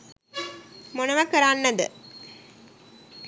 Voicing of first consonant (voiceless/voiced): voiced